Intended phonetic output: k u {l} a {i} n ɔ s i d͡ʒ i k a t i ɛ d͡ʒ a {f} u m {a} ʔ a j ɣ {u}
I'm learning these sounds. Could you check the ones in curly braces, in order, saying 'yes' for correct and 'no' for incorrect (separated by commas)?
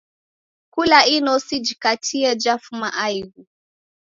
yes, yes, yes, yes, yes